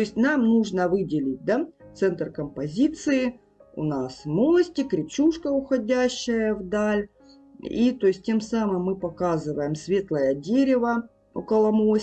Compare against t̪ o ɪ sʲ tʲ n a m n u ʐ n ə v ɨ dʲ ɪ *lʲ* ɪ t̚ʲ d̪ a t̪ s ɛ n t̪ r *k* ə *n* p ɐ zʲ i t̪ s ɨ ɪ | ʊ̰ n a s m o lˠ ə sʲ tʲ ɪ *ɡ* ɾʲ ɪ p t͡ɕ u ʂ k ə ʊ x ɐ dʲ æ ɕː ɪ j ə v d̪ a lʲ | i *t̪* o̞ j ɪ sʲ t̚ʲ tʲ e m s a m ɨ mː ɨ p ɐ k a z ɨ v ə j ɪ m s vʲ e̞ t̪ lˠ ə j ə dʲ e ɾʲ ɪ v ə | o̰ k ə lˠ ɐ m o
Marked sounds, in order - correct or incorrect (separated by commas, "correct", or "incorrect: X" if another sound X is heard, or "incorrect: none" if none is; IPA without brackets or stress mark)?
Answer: correct, correct, incorrect: m, incorrect: k, correct